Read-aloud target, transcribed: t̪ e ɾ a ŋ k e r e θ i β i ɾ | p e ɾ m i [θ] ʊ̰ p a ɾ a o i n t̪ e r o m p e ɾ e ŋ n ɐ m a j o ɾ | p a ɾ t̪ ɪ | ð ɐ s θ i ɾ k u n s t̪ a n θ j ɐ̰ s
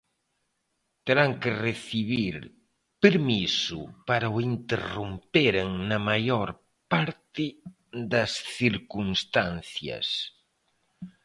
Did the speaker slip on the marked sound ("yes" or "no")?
yes